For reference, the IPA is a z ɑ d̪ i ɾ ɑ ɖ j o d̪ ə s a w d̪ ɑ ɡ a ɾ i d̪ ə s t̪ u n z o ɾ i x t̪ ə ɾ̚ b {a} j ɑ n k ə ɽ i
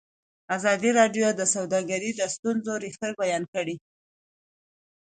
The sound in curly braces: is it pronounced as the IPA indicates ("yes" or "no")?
yes